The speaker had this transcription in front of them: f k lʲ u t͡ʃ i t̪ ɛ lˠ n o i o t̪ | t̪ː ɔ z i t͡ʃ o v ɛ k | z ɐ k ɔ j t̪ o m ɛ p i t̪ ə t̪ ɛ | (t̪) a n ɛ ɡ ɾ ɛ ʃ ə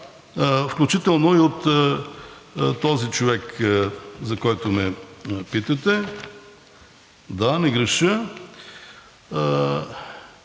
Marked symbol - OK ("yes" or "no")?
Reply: no